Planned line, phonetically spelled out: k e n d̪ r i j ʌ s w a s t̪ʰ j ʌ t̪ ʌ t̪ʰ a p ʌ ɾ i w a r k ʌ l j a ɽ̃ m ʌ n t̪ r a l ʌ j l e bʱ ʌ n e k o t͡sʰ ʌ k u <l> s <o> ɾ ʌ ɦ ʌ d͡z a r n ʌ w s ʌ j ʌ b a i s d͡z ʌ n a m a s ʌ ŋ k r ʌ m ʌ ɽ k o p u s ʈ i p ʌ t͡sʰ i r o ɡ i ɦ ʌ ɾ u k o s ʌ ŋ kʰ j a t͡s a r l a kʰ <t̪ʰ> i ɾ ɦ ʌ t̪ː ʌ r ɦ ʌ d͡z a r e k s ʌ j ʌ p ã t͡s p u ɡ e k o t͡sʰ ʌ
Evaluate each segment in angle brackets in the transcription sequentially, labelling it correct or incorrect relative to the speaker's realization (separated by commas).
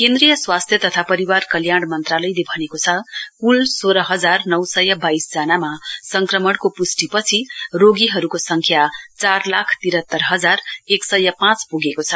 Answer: correct, correct, incorrect